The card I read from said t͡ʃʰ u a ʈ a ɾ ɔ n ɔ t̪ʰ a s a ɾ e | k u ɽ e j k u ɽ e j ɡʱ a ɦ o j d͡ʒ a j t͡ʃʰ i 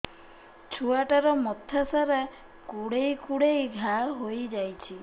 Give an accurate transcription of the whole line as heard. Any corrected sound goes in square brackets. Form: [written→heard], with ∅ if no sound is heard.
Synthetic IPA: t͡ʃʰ u a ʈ a ɾ ɔ [n→m] ɔ t̪ʰ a s a ɾ [e→a] | k u ɽ e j k u ɽ e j ɡʱ a ɦ o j d͡ʒ a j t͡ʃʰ i